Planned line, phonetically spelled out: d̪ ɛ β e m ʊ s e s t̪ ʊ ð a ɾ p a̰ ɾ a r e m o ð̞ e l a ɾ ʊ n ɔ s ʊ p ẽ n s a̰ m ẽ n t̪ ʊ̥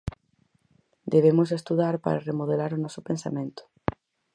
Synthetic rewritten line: d̪ e β e m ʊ s e s t̪ u ð a ɾ p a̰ ɾ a r e m o ð̞ e l a ɾ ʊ n ɔ s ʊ p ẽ n s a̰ m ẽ n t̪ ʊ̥